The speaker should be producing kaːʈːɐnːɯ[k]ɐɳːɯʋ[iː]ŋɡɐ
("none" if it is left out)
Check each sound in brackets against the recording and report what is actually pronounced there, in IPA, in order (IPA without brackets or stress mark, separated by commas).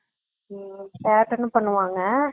p, aː